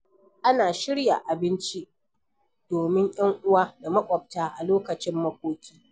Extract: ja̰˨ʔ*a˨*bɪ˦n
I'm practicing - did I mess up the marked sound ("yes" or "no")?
no